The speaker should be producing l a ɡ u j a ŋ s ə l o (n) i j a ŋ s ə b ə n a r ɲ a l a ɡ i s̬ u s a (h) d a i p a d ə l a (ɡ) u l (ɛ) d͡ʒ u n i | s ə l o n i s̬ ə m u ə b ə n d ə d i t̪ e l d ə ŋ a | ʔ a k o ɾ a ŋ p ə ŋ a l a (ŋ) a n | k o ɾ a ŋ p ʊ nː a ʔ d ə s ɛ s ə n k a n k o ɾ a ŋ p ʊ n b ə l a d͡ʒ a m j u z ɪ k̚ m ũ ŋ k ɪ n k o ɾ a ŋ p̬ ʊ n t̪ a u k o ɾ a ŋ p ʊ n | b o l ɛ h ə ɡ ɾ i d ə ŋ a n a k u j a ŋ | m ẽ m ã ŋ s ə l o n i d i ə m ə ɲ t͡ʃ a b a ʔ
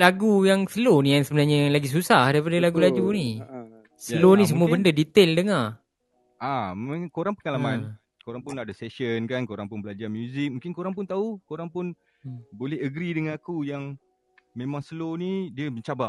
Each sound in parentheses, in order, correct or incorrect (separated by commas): correct, correct, correct, incorrect, incorrect